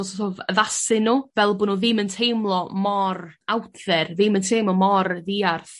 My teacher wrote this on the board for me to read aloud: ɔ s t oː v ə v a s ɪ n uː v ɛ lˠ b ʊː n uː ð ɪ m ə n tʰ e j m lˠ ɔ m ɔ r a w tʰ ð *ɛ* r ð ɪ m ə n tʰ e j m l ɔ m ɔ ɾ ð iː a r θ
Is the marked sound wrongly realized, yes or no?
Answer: no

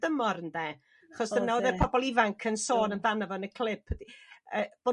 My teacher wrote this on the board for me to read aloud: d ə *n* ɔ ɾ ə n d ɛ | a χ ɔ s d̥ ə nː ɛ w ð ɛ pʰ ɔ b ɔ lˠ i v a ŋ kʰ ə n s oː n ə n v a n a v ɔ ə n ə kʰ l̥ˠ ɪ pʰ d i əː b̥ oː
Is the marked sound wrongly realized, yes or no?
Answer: yes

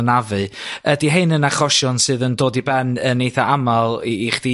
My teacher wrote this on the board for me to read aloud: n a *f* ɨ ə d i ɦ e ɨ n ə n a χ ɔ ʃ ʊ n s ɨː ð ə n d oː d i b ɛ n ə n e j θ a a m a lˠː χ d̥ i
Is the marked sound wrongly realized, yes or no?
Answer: yes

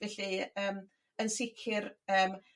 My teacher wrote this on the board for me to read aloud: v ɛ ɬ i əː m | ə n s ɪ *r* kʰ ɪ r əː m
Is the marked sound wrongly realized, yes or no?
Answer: yes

